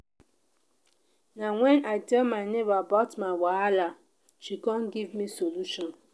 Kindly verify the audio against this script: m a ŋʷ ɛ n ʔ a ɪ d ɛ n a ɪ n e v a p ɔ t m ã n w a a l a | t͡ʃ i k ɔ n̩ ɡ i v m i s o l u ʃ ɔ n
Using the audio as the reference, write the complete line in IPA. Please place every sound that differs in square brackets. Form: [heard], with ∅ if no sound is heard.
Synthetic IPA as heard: [n] a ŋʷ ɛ n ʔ a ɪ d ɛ [m] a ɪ n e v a [b] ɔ t m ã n w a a l a | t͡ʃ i k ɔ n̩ ɡ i v m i s o l u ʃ ɔ n